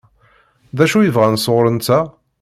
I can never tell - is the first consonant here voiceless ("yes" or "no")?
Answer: no